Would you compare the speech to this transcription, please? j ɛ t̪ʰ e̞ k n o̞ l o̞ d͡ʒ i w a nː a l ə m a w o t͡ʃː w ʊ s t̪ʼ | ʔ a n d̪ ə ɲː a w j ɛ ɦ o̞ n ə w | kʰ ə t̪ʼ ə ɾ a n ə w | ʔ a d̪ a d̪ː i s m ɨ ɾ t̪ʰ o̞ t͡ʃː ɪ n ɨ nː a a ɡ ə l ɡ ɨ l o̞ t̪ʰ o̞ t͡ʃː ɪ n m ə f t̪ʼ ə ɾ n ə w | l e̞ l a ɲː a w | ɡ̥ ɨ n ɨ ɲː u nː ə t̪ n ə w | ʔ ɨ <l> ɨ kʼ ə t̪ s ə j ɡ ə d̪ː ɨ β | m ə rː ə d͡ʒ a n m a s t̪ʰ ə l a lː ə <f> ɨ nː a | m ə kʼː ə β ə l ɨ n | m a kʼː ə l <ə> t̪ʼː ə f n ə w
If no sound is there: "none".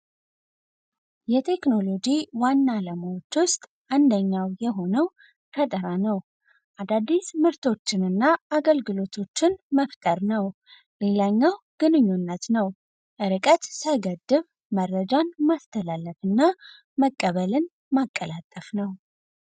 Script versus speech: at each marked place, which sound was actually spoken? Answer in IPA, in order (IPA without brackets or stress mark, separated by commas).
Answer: ɾ, f, a